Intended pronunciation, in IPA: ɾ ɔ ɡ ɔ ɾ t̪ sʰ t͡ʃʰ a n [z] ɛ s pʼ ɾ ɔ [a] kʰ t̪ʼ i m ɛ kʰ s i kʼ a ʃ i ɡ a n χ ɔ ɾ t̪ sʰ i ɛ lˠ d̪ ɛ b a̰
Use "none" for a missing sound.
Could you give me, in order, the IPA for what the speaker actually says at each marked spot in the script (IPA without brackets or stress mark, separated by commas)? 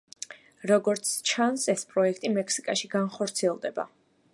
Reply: s, ɛ